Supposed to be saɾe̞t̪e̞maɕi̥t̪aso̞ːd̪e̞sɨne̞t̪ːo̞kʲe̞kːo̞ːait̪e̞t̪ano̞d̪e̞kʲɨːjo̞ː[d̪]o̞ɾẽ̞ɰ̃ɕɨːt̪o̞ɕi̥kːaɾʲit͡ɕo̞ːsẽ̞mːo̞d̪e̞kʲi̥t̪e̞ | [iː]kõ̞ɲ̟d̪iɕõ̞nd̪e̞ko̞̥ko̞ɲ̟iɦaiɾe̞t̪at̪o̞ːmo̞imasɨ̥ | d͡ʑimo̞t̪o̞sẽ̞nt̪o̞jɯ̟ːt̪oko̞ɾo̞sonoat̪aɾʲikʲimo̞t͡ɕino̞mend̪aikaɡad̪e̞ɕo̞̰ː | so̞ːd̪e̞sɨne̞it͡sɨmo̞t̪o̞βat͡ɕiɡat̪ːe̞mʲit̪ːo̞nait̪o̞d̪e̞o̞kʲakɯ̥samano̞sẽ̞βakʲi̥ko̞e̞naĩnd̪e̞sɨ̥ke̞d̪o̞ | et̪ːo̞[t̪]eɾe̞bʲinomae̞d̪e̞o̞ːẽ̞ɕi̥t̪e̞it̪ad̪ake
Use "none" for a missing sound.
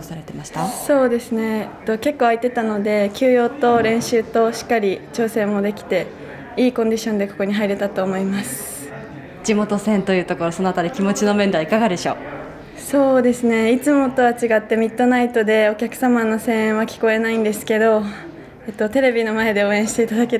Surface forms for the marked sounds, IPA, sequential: t̪, iː, t̪

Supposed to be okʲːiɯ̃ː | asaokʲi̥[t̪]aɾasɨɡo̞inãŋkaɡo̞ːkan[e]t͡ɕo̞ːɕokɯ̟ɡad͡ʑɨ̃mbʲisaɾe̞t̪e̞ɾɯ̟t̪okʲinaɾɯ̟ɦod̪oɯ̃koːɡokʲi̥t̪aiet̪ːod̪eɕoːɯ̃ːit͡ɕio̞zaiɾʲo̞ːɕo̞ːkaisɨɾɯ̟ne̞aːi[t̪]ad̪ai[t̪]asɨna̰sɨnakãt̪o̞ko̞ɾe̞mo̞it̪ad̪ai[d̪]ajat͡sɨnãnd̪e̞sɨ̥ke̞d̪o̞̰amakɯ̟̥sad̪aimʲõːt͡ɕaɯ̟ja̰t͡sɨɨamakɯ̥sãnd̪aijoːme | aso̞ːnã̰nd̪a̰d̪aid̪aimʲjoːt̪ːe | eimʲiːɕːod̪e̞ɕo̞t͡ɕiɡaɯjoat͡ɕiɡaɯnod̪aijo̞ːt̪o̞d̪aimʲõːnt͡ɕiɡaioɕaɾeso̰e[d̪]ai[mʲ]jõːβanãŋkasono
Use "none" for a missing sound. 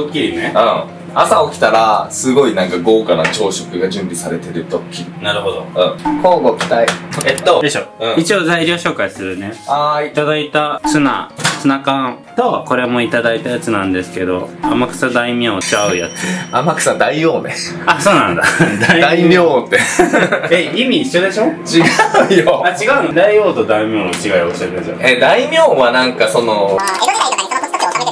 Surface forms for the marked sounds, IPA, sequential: t̪, a, t̪, t̪, t̪, d̪, mʲ

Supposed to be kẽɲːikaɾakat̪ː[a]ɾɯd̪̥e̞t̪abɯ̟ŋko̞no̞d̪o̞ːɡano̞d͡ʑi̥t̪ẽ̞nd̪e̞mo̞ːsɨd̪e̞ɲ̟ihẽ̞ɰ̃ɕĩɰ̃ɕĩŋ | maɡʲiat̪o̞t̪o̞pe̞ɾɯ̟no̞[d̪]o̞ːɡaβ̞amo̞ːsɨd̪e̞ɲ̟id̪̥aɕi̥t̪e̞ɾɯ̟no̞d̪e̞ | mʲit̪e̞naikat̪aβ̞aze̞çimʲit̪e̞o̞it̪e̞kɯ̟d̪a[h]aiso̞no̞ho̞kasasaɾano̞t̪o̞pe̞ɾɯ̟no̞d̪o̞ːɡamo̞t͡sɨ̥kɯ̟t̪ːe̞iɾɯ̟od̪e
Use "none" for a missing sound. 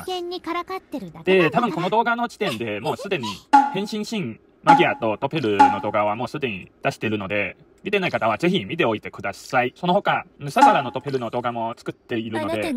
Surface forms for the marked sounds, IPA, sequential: e, d̪, s

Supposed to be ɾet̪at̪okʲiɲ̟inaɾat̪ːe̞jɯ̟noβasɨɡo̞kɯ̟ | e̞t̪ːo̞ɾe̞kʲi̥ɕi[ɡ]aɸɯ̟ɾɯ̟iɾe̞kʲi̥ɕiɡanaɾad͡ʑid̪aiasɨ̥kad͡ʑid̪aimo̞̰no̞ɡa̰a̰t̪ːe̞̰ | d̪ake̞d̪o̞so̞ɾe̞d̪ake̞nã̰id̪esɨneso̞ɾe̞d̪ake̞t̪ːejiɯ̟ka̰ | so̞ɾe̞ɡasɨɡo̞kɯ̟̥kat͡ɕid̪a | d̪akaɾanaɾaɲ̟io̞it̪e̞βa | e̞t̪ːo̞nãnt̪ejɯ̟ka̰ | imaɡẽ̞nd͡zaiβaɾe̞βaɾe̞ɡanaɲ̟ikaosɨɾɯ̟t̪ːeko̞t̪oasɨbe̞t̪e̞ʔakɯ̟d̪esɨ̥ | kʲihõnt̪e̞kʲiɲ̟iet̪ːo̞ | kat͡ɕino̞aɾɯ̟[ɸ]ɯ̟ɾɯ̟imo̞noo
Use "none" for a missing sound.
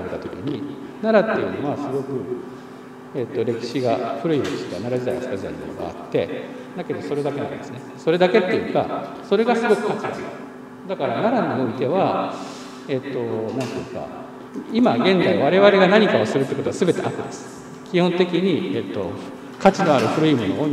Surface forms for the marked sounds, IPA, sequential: ɡ, ɸ

